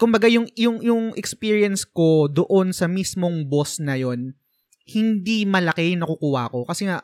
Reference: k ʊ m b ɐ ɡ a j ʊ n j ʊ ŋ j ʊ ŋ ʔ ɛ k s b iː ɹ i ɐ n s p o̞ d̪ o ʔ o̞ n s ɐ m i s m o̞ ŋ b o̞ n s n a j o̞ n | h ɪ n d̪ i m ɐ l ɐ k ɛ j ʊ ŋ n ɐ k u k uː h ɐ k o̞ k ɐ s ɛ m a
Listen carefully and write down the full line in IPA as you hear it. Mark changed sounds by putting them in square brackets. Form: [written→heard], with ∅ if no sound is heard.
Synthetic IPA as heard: k ʊ m b ɐ ɡ a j ʊ [n→ŋ] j ʊ ŋ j ʊ ŋ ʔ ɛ k s [b→p] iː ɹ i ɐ n s [p→k] o̞ d̪ o ʔ o̞ n s ɐ m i s m o̞ ŋ b o̞ [n→∅] s n [a→ɐ] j o̞ n | h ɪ n d̪ i m ɐ l ɐ k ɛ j ʊ ŋ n ɐ k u k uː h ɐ k o̞ k ɐ s ɛ [m→ŋ] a